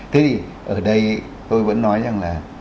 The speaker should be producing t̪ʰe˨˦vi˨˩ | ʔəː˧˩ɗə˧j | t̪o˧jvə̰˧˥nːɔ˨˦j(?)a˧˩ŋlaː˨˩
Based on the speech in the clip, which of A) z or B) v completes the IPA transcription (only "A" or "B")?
A